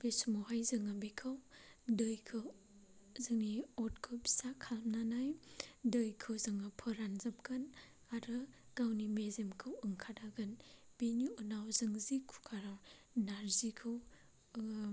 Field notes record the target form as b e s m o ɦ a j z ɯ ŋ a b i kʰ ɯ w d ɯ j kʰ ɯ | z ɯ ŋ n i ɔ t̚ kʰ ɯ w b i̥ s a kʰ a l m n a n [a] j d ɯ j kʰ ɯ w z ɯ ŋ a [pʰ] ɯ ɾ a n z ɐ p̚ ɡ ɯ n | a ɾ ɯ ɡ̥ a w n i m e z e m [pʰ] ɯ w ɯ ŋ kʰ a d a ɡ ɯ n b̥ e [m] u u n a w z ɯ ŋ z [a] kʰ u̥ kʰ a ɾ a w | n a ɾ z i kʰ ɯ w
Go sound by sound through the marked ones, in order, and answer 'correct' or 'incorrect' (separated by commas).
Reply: correct, correct, incorrect, incorrect, incorrect